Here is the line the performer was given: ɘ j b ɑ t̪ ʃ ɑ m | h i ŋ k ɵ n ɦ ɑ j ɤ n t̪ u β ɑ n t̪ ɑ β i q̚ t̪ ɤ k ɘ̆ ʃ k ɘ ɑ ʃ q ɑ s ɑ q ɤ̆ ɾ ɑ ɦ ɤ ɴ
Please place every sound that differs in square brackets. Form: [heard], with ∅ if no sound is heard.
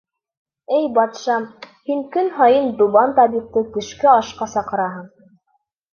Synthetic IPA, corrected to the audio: ɘ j b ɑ t̪ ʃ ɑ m | h i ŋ k ɵ n ɦ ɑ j ɤ n [d̪] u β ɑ n t̪ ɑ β i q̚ t̪ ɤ k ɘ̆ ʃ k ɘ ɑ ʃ q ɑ s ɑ q ɤ̆ ɾ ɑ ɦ ɤ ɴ